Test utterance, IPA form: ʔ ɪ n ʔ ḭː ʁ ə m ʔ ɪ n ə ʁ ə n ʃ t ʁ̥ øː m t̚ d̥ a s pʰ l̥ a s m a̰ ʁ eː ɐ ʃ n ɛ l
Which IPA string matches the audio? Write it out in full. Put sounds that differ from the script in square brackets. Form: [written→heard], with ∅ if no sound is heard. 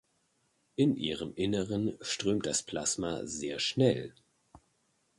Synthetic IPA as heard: ʔ ɪ n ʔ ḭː ʁ ə m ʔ ɪ n ə ʁ ə n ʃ t ʁ̥ øː m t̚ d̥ a s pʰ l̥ a s m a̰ [ʁ→z] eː ɐ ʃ n ɛ l